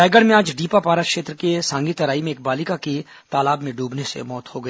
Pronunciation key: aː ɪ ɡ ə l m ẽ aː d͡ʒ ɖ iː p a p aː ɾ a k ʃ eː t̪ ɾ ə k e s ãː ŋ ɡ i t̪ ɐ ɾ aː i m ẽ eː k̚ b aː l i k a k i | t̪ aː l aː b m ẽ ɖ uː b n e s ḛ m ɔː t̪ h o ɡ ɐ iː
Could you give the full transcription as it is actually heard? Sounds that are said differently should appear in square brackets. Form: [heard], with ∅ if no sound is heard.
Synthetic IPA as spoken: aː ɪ ɡ ə [ɽ] m ẽ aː d͡ʒ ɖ iː p a p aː ɾ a k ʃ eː t̪ ɾ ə k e s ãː ŋ ɡ i t̪ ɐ ɾ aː i m ẽ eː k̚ b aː l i k a k i | t̪ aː l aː b m ẽ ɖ uː b n e s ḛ m ɔː t̪ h o ɡ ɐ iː